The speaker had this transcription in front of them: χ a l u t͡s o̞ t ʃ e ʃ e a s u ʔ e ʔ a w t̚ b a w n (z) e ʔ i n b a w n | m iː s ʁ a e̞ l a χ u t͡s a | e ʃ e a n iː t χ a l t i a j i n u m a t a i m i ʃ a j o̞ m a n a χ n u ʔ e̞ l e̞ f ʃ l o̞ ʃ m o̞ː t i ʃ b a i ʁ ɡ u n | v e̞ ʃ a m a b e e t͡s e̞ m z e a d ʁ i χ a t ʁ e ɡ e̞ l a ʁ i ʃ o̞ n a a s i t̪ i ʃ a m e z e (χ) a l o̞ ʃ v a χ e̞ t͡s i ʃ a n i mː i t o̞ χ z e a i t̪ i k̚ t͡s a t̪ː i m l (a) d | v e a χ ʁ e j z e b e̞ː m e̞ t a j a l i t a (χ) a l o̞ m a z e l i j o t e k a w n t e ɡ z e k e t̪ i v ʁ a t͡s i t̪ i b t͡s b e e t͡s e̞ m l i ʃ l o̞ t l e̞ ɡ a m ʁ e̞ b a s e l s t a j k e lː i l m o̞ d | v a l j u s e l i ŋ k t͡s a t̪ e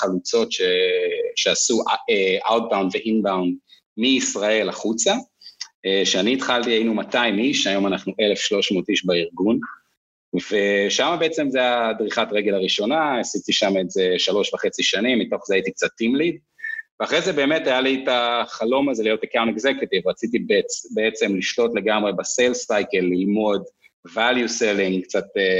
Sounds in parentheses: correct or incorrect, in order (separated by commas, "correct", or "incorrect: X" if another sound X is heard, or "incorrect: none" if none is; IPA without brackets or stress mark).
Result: incorrect: v, incorrect: ʃ, incorrect: i, correct